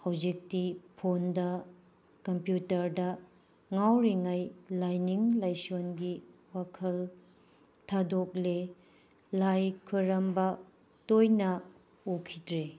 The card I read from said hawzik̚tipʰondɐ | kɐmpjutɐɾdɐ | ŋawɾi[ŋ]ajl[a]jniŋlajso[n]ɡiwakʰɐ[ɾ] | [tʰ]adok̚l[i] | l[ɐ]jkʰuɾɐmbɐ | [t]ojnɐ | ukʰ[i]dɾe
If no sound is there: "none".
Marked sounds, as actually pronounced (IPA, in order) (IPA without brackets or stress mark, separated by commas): ŋ, a, n, l, tʰ, e, a, t, i